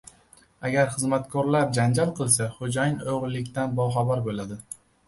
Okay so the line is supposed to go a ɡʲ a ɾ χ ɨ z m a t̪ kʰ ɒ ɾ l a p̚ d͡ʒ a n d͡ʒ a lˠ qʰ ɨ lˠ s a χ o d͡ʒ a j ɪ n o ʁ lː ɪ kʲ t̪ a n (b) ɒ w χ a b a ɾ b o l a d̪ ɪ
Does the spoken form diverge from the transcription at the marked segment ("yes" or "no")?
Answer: no